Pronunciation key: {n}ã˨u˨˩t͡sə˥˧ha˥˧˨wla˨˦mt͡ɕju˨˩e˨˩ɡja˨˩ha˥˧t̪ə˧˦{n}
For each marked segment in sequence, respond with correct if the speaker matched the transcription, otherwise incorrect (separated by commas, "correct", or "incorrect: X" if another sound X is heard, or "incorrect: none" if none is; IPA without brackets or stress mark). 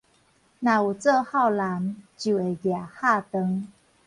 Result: correct, incorrect: ŋ